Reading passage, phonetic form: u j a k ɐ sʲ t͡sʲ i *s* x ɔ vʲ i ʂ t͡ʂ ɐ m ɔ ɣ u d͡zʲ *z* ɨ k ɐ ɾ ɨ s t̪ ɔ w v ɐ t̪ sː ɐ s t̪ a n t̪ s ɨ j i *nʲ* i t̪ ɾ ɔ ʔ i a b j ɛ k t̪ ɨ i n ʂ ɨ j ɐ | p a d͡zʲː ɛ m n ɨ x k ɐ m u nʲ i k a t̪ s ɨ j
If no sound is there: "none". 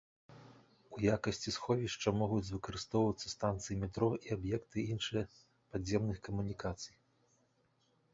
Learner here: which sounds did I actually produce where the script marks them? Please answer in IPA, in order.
s, v, mʲ

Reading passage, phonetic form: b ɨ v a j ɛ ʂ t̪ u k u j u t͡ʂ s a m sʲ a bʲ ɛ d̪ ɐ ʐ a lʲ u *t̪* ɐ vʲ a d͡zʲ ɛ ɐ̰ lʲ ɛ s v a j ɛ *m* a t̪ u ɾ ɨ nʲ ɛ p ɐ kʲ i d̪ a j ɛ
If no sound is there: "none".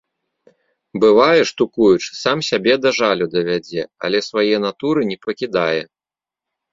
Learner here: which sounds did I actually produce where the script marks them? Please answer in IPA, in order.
d̪, n

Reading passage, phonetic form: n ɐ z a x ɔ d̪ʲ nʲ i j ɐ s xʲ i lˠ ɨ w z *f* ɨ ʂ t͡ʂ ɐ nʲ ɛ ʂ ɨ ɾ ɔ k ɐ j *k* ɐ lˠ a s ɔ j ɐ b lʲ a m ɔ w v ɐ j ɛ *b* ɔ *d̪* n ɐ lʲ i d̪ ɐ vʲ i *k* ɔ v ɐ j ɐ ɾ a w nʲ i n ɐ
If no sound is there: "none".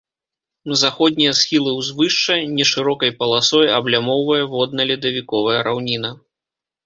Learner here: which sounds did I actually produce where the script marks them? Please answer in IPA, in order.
v, p, v, d̪, k

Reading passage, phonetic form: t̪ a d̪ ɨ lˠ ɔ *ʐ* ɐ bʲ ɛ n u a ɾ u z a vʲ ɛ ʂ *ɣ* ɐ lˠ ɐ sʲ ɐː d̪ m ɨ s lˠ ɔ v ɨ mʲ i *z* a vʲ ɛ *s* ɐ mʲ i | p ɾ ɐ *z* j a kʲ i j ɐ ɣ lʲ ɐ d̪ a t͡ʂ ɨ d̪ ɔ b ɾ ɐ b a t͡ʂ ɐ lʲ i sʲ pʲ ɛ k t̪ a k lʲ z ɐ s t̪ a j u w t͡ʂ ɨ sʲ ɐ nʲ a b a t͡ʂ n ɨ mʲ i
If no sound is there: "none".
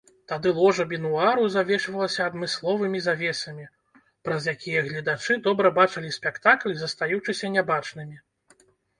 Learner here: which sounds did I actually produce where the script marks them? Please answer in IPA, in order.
ʐ, v, z, s, z

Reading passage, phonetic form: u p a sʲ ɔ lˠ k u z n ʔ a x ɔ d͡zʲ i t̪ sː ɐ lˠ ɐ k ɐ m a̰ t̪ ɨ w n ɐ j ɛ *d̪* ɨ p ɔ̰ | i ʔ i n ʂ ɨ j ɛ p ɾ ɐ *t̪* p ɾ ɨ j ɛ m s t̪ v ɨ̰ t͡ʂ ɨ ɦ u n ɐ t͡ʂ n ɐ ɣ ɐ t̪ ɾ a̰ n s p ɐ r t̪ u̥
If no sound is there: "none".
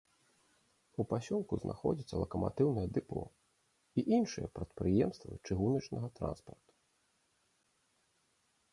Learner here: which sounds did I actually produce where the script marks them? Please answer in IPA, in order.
d̪, t̪

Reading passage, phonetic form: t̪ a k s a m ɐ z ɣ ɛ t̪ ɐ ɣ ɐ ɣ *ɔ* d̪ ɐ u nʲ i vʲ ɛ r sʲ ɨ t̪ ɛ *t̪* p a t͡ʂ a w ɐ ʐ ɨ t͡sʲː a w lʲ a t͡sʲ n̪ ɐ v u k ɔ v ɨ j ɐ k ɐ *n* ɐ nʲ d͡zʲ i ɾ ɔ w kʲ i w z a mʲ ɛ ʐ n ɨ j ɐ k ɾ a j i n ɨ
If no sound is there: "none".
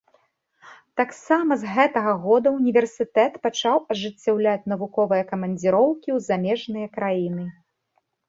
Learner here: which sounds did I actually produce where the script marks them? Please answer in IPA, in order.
ɔ, t̪, m

